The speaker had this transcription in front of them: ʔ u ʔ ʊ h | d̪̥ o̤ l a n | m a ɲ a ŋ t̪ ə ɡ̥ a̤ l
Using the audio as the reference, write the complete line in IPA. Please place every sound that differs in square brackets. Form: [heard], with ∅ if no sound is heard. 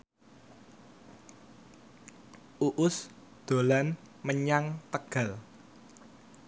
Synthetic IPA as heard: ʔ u ʔ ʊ [s] | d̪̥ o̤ l a n | m [ə] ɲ a ŋ t̪ ə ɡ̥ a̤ l